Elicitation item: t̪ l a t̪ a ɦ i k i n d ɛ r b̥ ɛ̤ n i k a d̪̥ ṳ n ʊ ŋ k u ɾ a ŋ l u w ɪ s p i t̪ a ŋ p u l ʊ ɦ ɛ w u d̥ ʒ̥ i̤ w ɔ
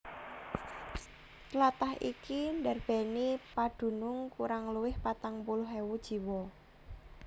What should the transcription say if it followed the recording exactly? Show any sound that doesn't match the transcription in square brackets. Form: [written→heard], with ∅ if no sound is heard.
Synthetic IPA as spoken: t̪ l a t̪ a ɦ i k i n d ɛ r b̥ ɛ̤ n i [k→p] a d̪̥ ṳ n ʊ ŋ k u ɾ a ŋ l u w ɪ [s→h] p [i→a] t̪ a ŋ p u l ʊ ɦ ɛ w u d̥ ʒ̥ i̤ w ɔ

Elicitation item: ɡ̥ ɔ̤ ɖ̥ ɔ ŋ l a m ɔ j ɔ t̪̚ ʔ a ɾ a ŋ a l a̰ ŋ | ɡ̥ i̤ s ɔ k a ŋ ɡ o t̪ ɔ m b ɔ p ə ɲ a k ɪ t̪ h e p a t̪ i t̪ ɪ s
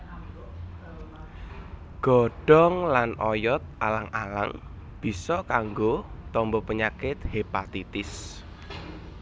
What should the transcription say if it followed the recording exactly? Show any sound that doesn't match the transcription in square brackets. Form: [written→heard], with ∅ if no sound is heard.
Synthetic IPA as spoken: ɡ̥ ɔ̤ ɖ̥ ɔ ŋ l a [m→n] ɔ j ɔ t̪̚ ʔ a [ɾ→l] a ŋ a l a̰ ŋ | [ɡ̥→b̥] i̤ s ɔ k a ŋ ɡ o t̪ ɔ m b ɔ p ə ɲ a k ɪ t̪ h e p a t̪ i t̪ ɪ s

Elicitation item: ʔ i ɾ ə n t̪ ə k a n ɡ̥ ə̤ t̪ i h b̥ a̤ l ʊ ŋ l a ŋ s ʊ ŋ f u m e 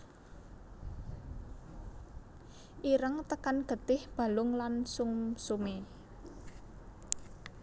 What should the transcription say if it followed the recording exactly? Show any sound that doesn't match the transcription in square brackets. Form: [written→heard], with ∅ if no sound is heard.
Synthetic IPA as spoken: ʔ i ɾ ə [n→ŋ] t̪ ə k a n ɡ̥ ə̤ t̪ [i→ɪ] h b̥ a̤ l ʊ ŋ l a [ŋ→n] s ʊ ŋ [f→s] u m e

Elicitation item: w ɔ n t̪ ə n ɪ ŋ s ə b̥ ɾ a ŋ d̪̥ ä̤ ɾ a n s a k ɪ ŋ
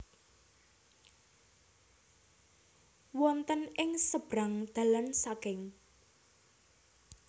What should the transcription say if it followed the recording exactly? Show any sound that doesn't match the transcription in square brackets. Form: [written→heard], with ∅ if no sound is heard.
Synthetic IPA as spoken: w ɔ n t̪ ə n ɪ ŋ s ə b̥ ɾ a ŋ d̪̥ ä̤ [ɾ→l] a n s a k ɪ ŋ

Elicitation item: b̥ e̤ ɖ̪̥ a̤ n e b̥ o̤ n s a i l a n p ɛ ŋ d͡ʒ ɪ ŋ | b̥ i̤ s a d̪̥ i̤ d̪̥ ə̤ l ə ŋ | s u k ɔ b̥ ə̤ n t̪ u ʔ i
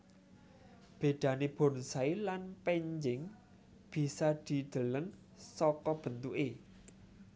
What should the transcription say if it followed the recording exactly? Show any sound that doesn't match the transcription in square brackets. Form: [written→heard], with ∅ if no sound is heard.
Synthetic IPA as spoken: b̥ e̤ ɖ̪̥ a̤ n e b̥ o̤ n s a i l a n p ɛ [ŋ→ɲ] d͡ʒ ɪ ŋ | b̥ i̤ s a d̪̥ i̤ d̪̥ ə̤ l ə ŋ | s [u→ɔ] k ɔ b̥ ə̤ n t̪ u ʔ [i→e]

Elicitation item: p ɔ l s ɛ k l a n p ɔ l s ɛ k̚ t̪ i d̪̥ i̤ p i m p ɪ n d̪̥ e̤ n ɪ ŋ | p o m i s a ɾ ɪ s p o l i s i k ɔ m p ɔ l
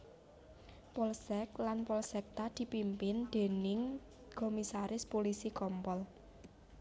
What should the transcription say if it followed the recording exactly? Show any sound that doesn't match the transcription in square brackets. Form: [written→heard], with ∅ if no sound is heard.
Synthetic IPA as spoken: p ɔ l s ɛ k l a n p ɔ l s ɛ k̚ t̪ [i→a] d̪̥ i̤ p i m p ɪ n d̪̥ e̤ n ɪ ŋ | [p→k] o m i s a ɾ ɪ s p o l i s i k ɔ m p ɔ l

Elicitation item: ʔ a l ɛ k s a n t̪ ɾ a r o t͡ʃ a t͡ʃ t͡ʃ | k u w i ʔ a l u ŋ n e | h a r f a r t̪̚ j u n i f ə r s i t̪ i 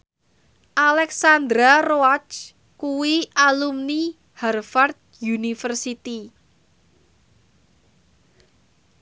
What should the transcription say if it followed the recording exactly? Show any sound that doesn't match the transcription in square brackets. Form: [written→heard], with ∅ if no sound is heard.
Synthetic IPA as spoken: ʔ a l ɛ k s a n [t̪→d̪] ɾ a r o [t͡ʃ→∅] a t͡ʃ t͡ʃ | k u w i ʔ a l u [ŋ→m] n [e→i] | h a r f a r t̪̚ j u n i f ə r s i t̪ i

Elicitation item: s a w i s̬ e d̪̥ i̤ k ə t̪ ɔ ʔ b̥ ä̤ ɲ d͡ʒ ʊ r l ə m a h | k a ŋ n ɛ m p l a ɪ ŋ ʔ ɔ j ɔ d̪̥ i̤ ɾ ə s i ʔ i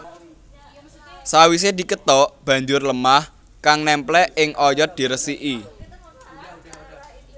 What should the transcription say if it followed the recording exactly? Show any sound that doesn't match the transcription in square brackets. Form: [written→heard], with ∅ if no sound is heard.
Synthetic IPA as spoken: s a w i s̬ e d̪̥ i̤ k ə t̪ ɔ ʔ b̥ ä̤ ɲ d͡ʒ ʊ r l ə m a h | k a ŋ n ɛ m p l [a→ɛ] ɪ ŋ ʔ ɔ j ɔ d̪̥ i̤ ɾ ə s i ʔ i

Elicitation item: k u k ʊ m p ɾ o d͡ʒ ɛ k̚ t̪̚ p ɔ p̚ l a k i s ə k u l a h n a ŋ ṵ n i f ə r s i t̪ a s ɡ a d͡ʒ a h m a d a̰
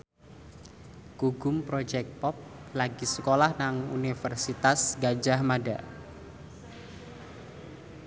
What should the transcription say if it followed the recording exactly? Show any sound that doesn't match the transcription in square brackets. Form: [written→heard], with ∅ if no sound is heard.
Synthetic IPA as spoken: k u [k→ɡ] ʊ m p ɾ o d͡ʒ ɛ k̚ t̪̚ p ɔ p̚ l a [k→ɡ] i s ə k [u→o] l a h n a ŋ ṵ n i f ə r s i t̪ a s ɡ a d͡ʒ a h m a d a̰

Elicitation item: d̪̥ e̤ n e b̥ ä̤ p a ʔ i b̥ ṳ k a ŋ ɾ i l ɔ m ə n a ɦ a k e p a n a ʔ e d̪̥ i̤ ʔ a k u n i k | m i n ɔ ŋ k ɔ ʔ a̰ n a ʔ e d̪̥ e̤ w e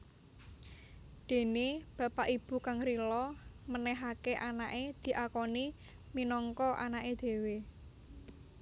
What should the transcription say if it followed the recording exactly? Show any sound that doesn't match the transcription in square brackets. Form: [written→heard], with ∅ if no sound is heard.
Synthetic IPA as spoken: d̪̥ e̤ n e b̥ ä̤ p a ʔ i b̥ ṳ k a ŋ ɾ i l ɔ m ə n [a→ɛ] ɦ a k e [p→ʔ] a n a ʔ e d̪̥ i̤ ʔ a k [u→ɔ] n i [k→∅] | m i n ɔ ŋ k ɔ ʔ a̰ n a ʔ e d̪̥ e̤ w e

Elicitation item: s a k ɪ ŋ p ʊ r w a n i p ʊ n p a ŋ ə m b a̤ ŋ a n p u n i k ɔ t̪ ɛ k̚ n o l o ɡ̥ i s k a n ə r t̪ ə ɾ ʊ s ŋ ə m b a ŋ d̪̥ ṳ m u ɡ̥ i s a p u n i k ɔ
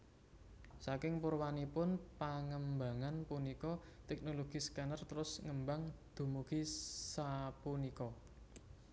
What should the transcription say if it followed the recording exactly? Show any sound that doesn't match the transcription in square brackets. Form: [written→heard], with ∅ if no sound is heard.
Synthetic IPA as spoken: s a k ɪ ŋ p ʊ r w a n i p ʊ n p a ŋ ə m b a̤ ŋ a n p u n i k ɔ t̪ ɛ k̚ n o l o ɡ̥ i s k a n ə r t̪ ə ɾ ʊ s ŋ ə m b a ŋ d̪̥ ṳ m u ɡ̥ i s a p u n i k ɔ

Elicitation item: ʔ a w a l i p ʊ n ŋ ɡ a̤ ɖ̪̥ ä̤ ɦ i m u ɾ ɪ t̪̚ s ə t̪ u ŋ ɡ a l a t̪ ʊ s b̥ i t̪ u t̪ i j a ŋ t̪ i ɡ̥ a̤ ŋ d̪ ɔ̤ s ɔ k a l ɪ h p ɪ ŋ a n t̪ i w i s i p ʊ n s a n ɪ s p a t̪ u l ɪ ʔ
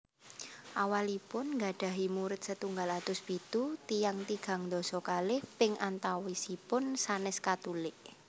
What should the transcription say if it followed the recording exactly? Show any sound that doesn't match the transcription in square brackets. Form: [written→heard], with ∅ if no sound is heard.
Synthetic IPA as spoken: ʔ a w a l i p ʊ n ŋ ɡ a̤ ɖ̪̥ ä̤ ɦ i m u ɾ ɪ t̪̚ s ə t̪ u ŋ ɡ a l a t̪ ʊ s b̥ i t̪ u t̪ i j a ŋ t̪ i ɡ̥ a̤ ŋ d̪ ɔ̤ s ɔ k a l ɪ h p ɪ ŋ a n t̪ [i→a] w i s i p ʊ n s a n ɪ s [p→k] a t̪ u l ɪ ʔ

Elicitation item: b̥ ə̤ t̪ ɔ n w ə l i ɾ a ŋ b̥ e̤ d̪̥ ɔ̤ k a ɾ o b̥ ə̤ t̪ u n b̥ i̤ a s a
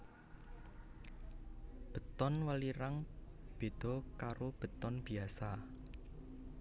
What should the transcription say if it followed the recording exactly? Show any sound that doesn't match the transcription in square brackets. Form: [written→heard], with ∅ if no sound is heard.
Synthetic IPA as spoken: b̥ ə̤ t̪ ɔ n w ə l i ɾ a ŋ b̥ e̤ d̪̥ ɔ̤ k a ɾ o b̥ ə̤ t̪ [u→ɔ] n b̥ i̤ a s a

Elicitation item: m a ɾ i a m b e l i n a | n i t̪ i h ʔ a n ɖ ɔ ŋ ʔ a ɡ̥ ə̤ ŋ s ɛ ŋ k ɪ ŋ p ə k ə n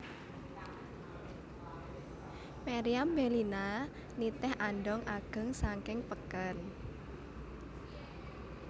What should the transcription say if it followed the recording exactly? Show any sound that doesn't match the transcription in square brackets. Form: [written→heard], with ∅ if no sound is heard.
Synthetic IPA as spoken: m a ɾ i a m b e l i n a | n i t̪ [i→ɛ] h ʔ a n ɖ ɔ ŋ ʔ a ɡ̥ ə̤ ŋ s [ɛ→a] ŋ k ɪ ŋ p ə k ə n

